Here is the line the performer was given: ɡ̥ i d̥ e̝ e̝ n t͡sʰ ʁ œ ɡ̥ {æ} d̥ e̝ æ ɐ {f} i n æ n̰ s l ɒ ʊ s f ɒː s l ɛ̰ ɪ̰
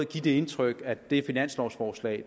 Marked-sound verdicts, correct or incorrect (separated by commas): correct, correct